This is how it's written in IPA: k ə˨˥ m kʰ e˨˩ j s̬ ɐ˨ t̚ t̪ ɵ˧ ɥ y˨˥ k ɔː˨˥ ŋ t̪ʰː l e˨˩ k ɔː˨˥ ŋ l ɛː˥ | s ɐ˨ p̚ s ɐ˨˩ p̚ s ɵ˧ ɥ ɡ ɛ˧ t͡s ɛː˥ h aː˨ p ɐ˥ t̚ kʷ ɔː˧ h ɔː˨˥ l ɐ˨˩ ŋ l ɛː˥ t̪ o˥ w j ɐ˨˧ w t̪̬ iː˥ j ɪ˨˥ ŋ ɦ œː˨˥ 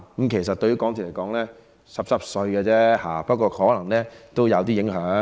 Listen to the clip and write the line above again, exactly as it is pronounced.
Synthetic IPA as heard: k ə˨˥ m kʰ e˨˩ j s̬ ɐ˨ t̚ t̪ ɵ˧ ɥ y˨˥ k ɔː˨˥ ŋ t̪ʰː l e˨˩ k ɔː˨˥ ŋ l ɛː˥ | s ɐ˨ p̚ s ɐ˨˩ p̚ s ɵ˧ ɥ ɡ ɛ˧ t͡s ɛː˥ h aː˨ p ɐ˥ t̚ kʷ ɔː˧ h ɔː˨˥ l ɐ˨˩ ŋ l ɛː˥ t̪ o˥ w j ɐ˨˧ w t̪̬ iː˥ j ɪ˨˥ ŋ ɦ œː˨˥